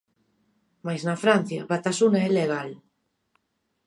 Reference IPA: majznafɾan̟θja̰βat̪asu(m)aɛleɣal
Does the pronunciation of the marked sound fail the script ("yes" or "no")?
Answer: yes